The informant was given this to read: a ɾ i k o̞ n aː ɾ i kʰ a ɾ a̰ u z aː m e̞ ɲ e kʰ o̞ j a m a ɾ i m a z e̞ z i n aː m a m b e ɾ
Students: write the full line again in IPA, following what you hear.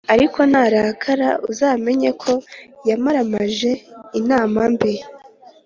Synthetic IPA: a ɾ i k o̞ n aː ɾ a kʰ a ɾ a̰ u z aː m e̞ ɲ e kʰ o̞ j a m a ɾ a m a ʒ e̞ i n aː m a m b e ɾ